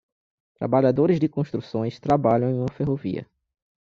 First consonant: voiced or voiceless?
voiceless